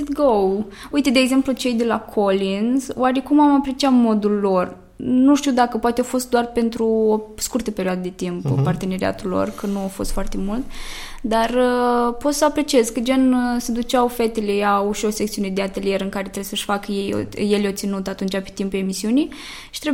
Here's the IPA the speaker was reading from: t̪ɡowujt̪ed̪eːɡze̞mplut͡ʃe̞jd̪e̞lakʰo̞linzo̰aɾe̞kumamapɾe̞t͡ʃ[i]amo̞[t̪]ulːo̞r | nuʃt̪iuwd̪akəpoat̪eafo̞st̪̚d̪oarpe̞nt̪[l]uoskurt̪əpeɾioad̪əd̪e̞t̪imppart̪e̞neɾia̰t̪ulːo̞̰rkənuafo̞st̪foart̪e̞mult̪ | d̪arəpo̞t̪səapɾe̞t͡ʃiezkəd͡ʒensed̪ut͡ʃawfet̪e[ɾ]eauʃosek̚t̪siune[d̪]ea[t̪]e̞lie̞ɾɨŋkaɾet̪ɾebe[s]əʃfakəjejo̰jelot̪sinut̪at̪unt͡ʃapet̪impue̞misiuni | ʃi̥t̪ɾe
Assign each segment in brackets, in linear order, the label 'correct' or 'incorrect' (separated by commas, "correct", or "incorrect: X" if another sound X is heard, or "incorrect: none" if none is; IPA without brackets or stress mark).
correct, incorrect: d̪, incorrect: ɾ, incorrect: l, correct, correct, correct